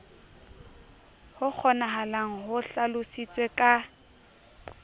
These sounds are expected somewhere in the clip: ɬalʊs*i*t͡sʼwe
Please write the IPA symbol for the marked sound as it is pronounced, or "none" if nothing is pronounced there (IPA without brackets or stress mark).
i